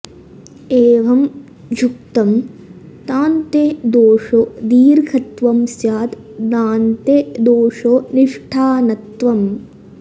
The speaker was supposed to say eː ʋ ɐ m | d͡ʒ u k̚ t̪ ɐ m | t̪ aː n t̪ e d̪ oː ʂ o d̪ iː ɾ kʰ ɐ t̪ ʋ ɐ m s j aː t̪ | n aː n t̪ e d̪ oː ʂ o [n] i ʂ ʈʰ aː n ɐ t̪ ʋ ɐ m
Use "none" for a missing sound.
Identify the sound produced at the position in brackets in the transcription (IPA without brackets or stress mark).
n